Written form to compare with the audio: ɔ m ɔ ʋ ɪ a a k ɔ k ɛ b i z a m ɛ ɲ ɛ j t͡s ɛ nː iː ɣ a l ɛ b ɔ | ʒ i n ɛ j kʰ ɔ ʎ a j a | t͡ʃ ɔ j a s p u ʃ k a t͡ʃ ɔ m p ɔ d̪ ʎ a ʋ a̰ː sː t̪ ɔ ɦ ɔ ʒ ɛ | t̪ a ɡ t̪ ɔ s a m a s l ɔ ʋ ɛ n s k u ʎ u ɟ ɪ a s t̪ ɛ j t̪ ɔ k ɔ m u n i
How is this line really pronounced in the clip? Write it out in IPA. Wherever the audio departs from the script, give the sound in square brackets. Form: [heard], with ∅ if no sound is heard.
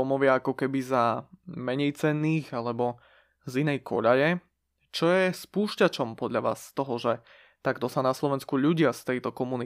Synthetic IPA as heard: ɔ m ɔ ʋ ɪ a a k ɔ k ɛ b i z a m ɛ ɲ ɛ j t͡s ɛ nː iː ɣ a l ɛ b ɔ | [z] i n ɛ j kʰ ɔ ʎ a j [ɛ] | t͡ʃ ɔ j [ɛ] s p [uː] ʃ [c] a t͡ʃ ɔ m p ɔ d̪ ʎ a ʋ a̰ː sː t̪ ɔ ɦ ɔ ʒ ɛ | t̪ a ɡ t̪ ɔ s a [n] a s l ɔ ʋ ɛ n s k u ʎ u ɟ ɪ a s t̪ ɛ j t̪ ɔ k ɔ m u n i